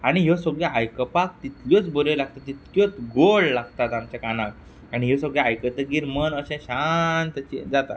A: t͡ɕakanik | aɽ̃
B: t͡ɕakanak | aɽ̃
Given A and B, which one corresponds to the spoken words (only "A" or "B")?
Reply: B